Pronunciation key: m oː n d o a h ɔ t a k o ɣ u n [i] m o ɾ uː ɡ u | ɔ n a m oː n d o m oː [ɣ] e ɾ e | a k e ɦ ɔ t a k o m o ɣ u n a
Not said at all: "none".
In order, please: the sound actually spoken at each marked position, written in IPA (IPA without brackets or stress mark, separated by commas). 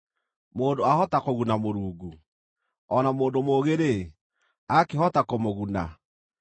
a, ɣ